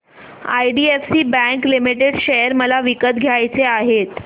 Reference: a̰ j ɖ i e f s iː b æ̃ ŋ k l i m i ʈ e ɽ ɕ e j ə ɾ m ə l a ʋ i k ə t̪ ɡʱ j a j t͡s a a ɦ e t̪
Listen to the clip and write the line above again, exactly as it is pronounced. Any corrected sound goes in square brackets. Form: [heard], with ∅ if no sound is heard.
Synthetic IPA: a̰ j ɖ i e f s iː b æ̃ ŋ k l i m i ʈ e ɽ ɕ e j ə ɾ m ə l a ʋ i k ə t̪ ɡʱ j a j t͡s [e] a ɦ e t̪

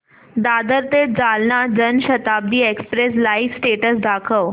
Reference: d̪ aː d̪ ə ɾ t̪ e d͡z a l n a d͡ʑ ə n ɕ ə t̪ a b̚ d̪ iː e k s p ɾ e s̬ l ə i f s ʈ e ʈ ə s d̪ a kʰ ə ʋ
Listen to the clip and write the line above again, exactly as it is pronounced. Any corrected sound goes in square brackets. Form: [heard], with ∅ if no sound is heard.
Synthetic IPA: d̪ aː d̪ ə ɾ t̪ e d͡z a l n a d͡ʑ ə n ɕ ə t̪ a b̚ d̪ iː e k s p ɾ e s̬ l [a] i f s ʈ e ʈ ə s d̪ a kʰ ə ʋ

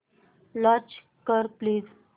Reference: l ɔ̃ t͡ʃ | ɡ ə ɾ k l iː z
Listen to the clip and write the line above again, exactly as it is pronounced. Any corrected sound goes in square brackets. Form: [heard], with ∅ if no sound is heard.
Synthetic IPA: l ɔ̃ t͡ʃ | [k] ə ɾ [p] l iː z

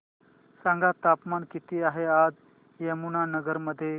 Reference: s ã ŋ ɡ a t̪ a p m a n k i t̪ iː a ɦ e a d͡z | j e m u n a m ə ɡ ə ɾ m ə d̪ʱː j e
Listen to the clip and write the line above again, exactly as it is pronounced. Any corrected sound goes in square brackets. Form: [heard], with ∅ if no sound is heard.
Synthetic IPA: s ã ŋ ɡ a t̪ a p m a n k i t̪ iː a ɦ e a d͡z | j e m u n a [n] ə ɡ ə ɾ m ə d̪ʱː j e

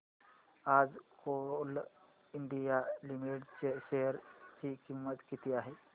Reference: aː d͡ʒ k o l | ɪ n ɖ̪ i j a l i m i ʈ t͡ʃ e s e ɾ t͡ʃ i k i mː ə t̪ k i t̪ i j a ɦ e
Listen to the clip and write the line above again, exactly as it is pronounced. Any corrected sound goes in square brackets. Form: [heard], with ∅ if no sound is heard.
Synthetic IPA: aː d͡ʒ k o l | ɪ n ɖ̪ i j a l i m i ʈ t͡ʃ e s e ɾ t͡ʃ i k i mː ə t̪ k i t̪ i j a ɦ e

